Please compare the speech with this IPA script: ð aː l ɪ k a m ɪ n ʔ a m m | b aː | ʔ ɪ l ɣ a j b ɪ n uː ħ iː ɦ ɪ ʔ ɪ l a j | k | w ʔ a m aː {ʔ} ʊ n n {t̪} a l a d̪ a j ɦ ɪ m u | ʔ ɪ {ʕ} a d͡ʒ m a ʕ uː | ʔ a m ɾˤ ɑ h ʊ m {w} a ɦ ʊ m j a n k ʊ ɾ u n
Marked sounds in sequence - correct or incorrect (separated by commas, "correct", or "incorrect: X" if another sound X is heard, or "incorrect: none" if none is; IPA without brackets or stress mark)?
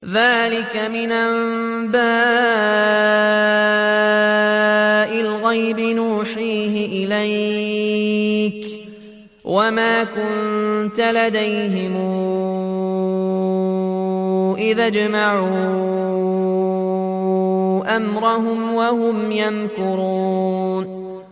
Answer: incorrect: k, correct, incorrect: ð, correct